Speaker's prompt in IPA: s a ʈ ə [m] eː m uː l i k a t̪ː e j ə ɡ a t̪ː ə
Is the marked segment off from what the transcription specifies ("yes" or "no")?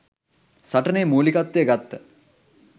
yes